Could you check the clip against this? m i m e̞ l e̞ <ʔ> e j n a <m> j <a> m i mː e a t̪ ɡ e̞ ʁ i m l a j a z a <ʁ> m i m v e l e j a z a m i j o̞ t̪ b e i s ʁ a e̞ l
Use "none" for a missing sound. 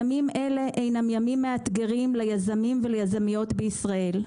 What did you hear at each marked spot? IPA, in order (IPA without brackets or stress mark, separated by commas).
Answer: ʔ, m, a, none